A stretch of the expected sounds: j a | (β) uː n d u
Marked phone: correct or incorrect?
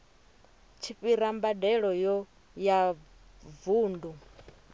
incorrect